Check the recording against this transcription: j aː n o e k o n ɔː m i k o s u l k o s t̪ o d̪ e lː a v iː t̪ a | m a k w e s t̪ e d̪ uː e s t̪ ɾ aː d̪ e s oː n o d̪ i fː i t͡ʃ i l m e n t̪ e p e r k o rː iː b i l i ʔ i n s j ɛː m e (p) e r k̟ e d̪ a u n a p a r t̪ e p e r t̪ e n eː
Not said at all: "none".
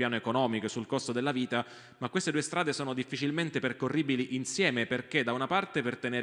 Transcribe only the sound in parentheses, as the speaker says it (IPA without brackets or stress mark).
p